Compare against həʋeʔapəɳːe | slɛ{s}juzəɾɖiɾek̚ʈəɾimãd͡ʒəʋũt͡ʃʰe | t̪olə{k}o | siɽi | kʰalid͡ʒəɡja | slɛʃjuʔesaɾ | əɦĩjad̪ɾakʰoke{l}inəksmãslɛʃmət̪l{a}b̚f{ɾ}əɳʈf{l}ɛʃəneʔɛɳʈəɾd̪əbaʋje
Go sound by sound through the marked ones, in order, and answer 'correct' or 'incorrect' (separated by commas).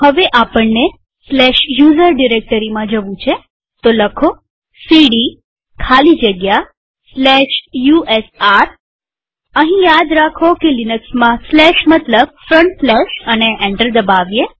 incorrect, incorrect, correct, incorrect, correct, correct